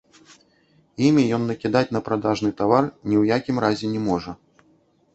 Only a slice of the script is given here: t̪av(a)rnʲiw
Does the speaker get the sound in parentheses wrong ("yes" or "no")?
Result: no